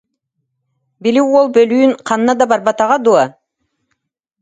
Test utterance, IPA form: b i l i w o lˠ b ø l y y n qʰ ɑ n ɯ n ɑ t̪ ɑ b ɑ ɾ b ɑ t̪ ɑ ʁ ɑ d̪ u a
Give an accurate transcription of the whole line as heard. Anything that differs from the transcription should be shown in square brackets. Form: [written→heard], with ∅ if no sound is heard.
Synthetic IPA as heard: b i l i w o lˠ b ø l y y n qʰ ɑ n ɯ n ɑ [t̪→d̪] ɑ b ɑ ɾ b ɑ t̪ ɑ ʁ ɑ d̪ u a